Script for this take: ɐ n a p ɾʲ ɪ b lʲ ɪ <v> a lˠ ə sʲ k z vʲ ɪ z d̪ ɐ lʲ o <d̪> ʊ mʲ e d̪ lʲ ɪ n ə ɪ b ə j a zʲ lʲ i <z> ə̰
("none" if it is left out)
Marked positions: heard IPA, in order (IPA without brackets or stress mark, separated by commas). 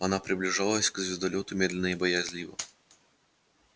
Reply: ʐ, t̪, v